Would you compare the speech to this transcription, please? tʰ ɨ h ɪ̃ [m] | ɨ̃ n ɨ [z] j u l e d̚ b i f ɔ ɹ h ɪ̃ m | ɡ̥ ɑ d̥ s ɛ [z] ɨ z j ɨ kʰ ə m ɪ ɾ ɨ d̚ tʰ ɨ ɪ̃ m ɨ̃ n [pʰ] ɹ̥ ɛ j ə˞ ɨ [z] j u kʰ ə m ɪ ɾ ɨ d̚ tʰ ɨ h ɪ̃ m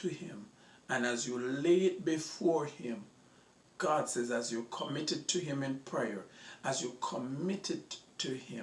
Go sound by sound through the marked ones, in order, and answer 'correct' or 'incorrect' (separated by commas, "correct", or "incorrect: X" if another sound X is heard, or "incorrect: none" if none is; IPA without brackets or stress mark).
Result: correct, correct, correct, correct, correct